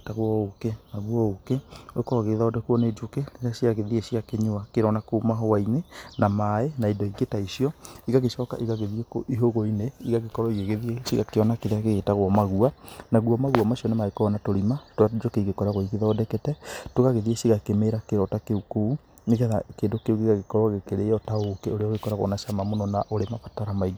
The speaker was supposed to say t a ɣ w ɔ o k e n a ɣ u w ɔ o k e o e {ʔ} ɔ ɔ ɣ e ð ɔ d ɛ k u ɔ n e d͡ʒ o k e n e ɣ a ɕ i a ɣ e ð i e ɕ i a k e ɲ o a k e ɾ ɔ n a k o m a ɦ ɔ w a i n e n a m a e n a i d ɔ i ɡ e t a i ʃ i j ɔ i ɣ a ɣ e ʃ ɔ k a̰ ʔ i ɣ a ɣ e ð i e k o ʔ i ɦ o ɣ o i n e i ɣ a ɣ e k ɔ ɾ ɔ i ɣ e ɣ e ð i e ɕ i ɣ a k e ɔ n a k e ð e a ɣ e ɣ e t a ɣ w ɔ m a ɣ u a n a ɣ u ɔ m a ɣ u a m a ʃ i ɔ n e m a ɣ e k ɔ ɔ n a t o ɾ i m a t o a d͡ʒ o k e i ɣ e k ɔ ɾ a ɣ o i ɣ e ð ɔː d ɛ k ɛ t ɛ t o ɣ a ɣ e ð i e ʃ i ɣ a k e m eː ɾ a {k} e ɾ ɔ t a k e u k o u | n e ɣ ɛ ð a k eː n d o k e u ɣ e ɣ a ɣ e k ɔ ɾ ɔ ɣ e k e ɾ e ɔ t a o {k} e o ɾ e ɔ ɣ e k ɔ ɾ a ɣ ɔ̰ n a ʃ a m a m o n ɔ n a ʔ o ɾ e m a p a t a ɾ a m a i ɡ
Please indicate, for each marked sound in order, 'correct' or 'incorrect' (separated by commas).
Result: incorrect, correct, correct